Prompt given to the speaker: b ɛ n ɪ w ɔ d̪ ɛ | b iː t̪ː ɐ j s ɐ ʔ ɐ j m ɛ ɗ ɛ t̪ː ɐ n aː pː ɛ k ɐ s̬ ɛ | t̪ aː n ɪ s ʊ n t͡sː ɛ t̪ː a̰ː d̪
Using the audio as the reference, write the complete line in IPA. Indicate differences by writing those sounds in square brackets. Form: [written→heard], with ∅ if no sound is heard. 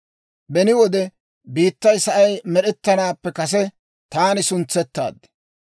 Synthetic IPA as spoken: b ɛ n ɪ w ɔ d̪ ɛ | b iː t̪ː ɐ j s ɐ ʔ ɐ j m ɛ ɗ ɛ t̪ː ɐ n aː pː ɛ k ɐ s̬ ɛ | t̪ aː n ɪ s ʊ n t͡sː ɛ t̪ː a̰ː d̪